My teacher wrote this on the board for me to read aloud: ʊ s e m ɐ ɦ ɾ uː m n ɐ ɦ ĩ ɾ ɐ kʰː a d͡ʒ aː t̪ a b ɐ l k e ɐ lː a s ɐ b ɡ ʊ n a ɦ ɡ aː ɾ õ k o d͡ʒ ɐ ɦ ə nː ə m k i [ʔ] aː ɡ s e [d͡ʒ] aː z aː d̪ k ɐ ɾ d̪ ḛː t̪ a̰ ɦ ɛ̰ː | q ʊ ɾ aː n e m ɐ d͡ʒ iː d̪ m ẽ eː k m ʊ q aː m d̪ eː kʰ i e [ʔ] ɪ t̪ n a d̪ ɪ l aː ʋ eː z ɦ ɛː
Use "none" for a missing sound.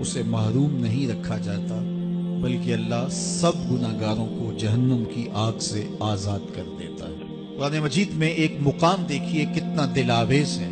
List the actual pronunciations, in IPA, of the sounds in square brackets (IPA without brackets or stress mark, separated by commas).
ʔ, none, k